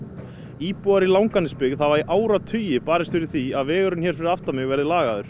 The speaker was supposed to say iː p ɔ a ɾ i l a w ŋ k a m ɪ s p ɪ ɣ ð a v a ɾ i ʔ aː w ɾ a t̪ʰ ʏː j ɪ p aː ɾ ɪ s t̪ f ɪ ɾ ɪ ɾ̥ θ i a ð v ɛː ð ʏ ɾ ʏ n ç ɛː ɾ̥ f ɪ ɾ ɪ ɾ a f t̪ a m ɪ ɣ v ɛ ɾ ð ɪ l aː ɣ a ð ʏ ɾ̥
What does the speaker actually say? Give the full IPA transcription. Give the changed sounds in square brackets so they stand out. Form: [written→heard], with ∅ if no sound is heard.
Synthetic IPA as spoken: iː p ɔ a ɾ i l a w ŋ k a [m→n] ɪ s p ɪ ɣ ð a v a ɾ i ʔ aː w ɾ a t̪ʰ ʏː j ɪ p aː ɾ ɪ s t̪ f ɪ ɾ ɪ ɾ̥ θ i a ð v ɛː [ð→ɣ] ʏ ɾ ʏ n ç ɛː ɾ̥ f ɪ ɾ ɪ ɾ a f t̪ a m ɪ ɣ v ɛ ɾ ð ɪ l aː ɣ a ð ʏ ɾ̥